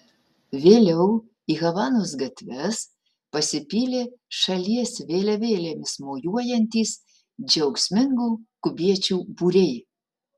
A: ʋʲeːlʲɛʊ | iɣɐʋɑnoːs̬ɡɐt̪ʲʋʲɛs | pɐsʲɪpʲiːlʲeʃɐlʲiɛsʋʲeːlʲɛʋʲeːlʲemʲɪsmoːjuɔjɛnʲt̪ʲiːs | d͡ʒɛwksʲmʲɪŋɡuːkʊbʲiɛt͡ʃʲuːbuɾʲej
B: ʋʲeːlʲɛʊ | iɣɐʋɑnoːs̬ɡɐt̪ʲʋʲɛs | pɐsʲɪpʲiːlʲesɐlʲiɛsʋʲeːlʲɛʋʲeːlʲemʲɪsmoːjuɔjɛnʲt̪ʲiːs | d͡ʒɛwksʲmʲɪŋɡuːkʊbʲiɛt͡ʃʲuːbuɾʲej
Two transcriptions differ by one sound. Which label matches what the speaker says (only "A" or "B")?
A